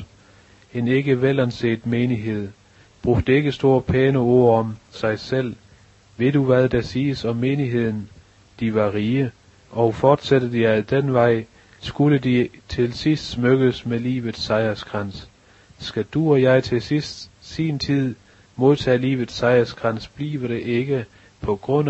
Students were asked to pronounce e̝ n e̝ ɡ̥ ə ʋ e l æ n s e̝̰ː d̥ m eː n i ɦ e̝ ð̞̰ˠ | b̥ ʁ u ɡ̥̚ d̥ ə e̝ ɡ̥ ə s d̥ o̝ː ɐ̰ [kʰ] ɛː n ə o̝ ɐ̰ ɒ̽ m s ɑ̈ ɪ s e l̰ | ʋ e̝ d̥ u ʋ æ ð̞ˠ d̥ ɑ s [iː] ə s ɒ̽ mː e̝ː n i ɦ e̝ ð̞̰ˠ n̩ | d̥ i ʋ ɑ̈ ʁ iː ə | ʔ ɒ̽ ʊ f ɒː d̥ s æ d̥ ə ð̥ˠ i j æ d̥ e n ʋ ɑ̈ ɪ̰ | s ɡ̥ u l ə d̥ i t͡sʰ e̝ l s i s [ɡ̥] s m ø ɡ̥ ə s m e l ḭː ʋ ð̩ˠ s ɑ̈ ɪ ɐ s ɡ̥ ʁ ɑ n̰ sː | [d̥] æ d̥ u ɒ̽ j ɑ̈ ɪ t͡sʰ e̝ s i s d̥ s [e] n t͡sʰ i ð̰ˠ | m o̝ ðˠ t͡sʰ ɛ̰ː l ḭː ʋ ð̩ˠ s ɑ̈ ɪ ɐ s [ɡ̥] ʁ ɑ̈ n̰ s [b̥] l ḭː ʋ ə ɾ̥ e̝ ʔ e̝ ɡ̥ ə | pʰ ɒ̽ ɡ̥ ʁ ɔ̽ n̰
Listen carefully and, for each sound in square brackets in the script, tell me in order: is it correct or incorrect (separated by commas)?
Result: incorrect, correct, incorrect, incorrect, incorrect, correct, correct